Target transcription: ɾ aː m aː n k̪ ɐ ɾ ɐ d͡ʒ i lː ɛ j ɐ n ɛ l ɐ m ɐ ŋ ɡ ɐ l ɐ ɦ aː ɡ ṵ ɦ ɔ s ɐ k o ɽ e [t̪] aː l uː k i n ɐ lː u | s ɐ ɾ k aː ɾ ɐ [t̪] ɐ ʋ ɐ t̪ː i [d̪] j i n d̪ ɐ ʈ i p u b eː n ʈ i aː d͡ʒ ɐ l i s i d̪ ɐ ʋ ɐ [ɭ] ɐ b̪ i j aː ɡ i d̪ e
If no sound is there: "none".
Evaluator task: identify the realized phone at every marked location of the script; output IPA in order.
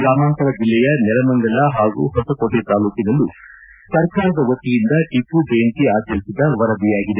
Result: t̪, d̪, none, ɾ

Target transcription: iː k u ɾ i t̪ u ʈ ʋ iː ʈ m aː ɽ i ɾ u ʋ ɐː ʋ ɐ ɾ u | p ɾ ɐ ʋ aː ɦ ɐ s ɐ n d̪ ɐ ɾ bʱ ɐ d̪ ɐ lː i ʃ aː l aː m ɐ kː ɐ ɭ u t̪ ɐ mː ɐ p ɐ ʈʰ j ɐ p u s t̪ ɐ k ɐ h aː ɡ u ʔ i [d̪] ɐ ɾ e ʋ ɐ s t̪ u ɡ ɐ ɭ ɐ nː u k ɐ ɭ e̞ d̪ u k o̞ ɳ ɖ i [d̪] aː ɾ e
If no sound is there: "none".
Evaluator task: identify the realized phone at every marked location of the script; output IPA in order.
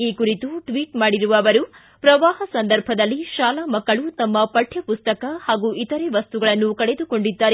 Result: t̪, d̪ː

